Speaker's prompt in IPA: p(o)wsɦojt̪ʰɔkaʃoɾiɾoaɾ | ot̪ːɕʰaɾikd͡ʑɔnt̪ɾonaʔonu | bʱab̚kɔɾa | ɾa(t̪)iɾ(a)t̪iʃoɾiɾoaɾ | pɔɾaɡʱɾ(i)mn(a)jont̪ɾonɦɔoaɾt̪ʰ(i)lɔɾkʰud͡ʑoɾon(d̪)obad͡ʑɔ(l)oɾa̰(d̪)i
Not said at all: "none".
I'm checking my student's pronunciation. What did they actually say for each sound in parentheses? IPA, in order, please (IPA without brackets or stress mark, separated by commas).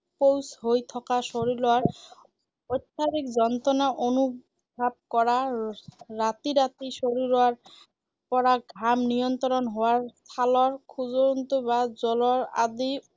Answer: o, t̪, a, a, i, a, t̪, l, d̪